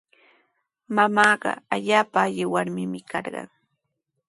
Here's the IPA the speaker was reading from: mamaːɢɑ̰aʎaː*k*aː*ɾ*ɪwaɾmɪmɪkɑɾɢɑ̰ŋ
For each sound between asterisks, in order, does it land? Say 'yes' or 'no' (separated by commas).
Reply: no, no